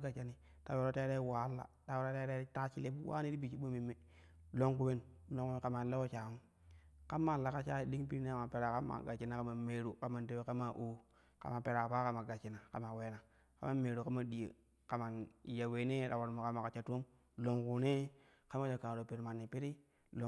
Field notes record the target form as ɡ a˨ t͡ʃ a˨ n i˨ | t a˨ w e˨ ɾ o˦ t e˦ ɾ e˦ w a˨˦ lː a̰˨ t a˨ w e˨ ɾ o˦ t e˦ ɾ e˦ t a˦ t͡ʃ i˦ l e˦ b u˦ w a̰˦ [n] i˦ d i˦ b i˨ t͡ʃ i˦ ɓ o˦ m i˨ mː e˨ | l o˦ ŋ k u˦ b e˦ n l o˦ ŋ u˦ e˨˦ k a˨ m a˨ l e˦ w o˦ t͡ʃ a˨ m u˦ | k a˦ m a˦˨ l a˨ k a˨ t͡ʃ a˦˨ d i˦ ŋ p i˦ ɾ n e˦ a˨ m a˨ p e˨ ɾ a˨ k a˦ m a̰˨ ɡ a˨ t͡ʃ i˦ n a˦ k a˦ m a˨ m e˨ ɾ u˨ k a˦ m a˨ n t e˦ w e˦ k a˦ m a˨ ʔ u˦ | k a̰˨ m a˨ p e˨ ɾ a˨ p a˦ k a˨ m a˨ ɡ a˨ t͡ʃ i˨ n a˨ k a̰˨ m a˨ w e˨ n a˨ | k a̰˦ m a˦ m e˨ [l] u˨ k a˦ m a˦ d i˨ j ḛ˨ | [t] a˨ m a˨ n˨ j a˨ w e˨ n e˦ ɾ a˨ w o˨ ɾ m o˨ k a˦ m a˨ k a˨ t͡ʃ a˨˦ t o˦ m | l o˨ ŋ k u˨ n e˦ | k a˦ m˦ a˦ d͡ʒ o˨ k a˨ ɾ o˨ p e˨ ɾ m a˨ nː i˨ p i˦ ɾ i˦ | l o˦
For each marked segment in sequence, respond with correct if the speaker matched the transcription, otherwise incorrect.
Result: correct, incorrect, incorrect

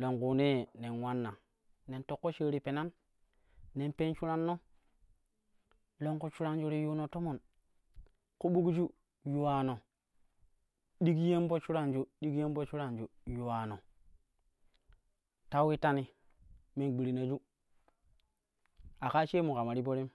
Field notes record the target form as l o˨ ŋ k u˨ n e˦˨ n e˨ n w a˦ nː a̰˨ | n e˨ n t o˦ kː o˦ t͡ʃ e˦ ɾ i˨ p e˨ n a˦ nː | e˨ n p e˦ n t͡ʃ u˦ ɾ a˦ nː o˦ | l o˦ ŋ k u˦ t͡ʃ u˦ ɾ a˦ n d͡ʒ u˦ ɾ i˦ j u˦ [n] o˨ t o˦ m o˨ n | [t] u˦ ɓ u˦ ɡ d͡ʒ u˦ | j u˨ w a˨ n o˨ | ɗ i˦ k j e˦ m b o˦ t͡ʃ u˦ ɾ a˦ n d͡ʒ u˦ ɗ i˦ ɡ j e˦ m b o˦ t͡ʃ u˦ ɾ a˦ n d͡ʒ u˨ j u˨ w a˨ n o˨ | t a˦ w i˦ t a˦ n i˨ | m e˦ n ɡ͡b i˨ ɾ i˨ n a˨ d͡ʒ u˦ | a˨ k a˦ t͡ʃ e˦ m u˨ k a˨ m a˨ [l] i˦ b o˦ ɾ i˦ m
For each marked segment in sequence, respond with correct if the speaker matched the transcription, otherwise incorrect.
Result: correct, incorrect, incorrect

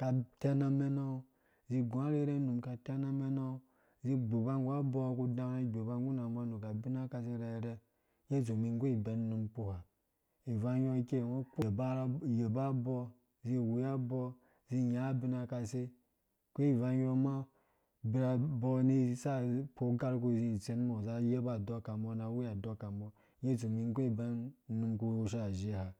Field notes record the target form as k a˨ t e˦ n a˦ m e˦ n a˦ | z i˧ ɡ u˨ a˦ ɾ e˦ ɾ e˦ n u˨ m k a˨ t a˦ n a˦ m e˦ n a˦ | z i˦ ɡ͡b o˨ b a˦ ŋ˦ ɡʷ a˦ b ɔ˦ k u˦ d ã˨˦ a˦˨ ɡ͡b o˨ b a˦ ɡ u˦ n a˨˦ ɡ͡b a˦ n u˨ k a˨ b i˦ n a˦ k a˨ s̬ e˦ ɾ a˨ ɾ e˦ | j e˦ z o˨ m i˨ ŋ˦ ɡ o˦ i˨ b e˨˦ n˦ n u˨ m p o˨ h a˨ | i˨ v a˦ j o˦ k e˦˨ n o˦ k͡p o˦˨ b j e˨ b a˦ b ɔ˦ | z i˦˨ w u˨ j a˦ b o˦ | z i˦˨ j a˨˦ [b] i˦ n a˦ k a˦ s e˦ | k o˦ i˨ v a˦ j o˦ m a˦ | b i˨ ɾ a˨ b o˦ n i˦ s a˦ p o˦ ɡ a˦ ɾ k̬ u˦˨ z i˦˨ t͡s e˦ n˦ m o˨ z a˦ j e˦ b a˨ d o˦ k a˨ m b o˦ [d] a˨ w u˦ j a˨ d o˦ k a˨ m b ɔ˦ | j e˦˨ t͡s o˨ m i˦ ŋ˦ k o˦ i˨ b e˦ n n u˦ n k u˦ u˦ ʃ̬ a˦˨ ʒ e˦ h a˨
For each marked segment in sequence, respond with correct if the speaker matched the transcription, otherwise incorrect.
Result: correct, incorrect

